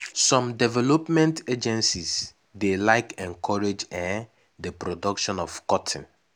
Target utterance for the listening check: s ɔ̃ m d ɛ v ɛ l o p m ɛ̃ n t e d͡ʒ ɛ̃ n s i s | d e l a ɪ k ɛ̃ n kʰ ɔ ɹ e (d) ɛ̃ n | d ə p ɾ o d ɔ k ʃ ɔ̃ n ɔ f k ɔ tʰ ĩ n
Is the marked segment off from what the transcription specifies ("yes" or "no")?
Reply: yes